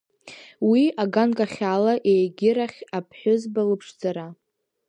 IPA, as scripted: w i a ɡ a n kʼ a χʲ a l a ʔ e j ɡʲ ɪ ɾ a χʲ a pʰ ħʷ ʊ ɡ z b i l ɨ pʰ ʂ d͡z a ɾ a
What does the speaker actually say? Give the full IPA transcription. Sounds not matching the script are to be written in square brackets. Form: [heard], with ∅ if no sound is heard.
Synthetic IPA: w i a ɡ a n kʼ a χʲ a l a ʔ e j ɡʲ ɪ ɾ a χʲ a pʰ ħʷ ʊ [∅] z b [a] l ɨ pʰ ʂ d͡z a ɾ a